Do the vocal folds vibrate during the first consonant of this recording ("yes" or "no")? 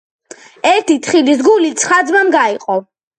yes